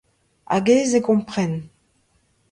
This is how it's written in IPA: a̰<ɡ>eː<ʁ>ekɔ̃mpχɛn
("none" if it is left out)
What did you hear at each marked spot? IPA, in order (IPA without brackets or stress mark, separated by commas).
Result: ɡ, z